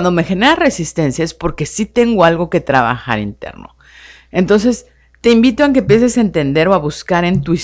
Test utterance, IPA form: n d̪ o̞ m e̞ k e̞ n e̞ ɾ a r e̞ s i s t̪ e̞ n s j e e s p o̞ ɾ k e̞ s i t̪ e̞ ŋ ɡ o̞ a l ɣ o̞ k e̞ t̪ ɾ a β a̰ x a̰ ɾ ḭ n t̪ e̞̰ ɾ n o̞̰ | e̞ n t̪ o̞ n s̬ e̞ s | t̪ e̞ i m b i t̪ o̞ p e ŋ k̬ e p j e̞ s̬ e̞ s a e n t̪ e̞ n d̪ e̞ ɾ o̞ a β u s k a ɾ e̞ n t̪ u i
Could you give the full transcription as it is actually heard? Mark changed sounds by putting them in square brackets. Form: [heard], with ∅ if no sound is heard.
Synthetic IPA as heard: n d̪ o̞ m e̞ [x] e̞ n e̞ ɾ a r e̞ s i s t̪ e̞ n s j [a] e s p o̞ ɾ k e̞ s i t̪ e̞ ŋ ɡ o̞ a l ɣ o̞ k e̞ t̪ ɾ a β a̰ x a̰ ɾ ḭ n t̪ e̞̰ ɾ n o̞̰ | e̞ n t̪ o̞ n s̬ e̞ s | t̪ e̞ i m b i t̪ o̞ [∅] e ŋ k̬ e p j e̞ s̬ e̞ s a e n t̪ e̞ n d̪ e̞ ɾ o̞ a β u s k a ɾ e̞ n t̪ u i